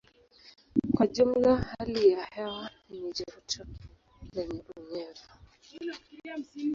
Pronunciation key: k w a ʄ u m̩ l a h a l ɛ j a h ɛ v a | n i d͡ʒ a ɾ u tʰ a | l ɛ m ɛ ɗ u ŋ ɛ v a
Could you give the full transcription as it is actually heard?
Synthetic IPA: k w a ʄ u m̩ l a h a l i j a h ɛ w a | n i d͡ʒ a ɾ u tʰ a | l ɛ ɲ ɛ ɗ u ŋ ɛ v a